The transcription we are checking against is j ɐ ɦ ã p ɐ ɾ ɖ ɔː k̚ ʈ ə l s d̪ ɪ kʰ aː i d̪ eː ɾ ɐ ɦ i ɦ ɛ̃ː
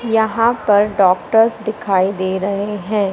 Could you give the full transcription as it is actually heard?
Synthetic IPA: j ɐ ɦ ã p ɐ ɾ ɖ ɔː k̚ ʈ ə ɾ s d̪ ɪ kʰ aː i d̪ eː ɾ ɐ ɦ e ɦ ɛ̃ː